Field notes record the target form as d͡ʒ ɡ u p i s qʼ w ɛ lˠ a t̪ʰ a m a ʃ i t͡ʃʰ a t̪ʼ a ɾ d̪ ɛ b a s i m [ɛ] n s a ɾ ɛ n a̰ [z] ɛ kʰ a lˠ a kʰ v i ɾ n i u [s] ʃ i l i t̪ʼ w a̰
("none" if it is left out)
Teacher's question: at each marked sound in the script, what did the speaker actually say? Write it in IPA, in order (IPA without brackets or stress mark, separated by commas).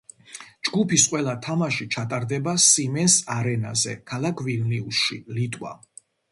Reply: ɛ, z, s